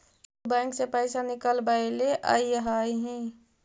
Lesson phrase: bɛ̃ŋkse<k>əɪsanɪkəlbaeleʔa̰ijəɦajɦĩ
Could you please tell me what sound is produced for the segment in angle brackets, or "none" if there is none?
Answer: p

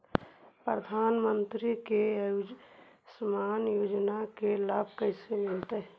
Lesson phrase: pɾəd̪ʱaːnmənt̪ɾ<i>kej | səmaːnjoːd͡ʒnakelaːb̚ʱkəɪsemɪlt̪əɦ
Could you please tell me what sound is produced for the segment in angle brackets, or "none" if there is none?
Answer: i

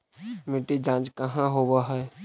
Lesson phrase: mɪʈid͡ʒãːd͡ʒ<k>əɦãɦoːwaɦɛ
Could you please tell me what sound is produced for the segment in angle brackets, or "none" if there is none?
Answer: k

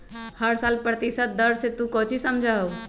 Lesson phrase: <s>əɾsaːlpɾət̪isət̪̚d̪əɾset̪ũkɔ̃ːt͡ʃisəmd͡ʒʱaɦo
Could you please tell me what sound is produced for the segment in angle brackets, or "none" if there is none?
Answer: h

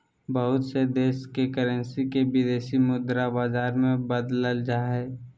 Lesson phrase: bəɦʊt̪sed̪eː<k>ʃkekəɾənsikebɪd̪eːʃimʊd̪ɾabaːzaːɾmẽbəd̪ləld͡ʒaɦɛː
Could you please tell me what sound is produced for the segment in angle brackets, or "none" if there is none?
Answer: none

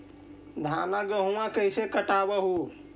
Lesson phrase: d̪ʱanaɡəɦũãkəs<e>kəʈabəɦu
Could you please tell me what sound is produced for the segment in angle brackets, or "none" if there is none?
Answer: e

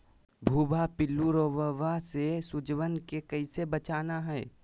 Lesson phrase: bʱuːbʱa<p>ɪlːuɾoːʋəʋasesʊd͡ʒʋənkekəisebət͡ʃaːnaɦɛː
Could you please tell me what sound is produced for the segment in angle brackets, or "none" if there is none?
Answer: p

